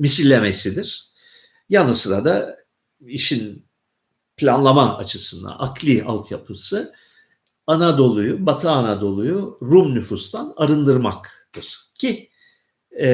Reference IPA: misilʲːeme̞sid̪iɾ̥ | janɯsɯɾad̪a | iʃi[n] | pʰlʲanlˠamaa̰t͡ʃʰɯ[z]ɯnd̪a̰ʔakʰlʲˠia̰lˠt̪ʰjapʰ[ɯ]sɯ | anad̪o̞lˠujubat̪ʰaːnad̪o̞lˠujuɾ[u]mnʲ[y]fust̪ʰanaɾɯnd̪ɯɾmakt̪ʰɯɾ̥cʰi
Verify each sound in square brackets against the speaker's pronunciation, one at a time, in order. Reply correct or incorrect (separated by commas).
correct, incorrect, correct, correct, correct